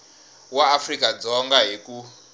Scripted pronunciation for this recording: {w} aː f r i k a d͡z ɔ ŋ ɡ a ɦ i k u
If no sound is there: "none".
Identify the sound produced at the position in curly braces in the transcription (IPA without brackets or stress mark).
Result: w